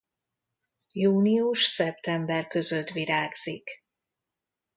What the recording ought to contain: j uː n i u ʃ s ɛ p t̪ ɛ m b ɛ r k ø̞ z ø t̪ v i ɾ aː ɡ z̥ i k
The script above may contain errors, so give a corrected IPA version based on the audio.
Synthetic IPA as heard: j uː n i u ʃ s ɛ p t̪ ɛ m b ɛ r k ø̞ z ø t̪ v i ɾ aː ɡ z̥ i k